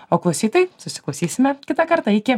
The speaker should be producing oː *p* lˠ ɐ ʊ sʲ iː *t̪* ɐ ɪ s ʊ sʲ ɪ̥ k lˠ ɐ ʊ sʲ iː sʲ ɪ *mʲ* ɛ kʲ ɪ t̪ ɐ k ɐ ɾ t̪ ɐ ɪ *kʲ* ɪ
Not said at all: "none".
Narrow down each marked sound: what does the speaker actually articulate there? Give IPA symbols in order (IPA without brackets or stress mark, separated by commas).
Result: k, t̪, mʲ, kʲ